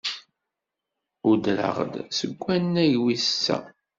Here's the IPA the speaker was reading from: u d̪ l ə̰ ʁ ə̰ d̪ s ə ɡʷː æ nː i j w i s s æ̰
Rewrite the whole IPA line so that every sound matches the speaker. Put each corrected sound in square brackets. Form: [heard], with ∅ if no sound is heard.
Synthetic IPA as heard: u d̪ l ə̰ ʁ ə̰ d̪ s ə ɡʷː æ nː [æ] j w i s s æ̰